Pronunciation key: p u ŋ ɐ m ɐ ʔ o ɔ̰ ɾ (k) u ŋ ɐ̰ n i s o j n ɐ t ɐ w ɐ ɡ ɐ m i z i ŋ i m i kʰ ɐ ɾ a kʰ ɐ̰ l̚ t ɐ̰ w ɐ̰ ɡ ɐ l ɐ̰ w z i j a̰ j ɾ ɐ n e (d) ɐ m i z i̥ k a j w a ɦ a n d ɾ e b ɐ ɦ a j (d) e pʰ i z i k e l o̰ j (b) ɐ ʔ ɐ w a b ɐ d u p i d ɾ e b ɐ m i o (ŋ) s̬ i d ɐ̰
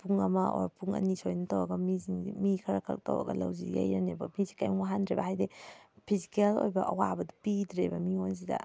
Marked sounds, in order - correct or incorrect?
incorrect, incorrect, correct, correct, incorrect

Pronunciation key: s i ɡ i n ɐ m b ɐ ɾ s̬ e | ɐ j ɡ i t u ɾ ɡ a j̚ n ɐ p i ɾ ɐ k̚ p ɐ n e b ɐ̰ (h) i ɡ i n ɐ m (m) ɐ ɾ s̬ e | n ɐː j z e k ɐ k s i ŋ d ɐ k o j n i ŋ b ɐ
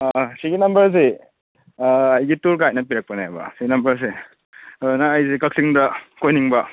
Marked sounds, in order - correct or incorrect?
incorrect, incorrect

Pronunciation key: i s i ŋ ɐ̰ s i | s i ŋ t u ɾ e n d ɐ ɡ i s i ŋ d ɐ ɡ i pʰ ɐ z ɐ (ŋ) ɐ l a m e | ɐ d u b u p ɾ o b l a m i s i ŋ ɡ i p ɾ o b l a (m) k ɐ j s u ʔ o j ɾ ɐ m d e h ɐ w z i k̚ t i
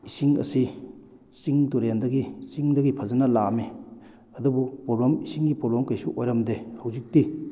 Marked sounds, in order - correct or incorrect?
incorrect, correct

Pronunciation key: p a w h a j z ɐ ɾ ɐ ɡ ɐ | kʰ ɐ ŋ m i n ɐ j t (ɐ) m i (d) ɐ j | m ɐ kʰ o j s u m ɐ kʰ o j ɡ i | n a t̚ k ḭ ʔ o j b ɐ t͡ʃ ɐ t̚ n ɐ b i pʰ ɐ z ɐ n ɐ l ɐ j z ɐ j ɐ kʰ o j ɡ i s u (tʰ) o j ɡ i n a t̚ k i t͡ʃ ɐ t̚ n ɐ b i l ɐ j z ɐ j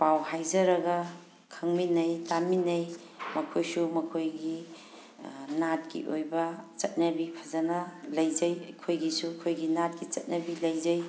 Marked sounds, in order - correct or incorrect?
incorrect, incorrect, incorrect

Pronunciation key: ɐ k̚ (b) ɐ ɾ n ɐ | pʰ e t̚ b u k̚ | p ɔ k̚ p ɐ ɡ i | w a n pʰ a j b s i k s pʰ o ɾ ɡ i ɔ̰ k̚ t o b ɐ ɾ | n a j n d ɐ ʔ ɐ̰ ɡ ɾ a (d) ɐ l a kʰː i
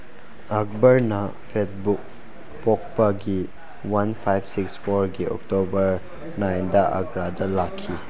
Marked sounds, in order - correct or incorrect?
correct, correct

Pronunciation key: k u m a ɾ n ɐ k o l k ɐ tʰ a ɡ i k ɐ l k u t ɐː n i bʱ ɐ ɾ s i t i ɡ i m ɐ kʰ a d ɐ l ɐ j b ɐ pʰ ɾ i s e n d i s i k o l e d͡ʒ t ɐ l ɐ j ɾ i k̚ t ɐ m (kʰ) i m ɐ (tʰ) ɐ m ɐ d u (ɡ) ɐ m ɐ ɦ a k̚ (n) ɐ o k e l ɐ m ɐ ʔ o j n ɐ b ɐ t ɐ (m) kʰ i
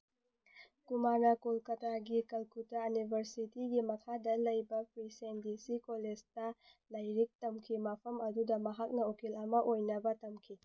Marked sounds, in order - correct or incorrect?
correct, incorrect, incorrect, correct, correct

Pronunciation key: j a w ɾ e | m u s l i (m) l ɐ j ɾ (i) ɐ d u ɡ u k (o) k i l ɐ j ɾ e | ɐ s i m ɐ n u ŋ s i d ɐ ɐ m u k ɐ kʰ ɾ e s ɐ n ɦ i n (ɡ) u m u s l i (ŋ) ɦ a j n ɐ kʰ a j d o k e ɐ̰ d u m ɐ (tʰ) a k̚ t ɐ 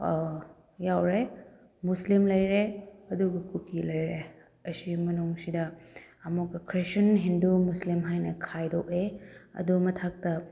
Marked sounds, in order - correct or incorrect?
correct, incorrect, incorrect, incorrect, incorrect, correct

